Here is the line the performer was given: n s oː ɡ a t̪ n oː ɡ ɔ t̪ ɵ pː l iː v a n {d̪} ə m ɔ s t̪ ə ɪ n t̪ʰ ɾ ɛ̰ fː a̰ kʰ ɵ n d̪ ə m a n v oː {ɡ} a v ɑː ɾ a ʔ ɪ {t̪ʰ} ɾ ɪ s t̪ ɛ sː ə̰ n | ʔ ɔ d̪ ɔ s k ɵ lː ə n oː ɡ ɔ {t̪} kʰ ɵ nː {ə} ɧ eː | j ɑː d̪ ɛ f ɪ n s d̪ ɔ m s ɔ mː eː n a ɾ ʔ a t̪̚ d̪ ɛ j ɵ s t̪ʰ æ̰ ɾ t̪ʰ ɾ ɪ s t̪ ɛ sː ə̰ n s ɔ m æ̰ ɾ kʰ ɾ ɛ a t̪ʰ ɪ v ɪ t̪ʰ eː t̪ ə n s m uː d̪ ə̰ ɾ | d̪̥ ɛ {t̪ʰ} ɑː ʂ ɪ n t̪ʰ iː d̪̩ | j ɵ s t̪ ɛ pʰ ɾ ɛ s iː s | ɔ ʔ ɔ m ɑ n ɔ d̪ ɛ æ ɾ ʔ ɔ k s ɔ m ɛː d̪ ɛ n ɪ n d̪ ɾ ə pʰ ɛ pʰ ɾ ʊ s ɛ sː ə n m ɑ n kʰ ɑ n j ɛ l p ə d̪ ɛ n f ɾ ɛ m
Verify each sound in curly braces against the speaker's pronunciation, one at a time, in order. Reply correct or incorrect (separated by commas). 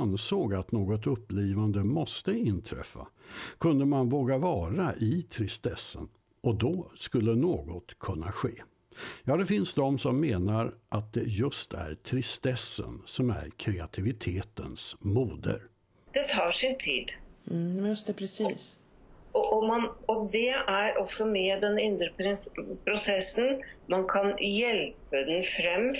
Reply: correct, correct, correct, correct, incorrect, correct